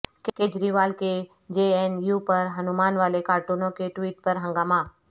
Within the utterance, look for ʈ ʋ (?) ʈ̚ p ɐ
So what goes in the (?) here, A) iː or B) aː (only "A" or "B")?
A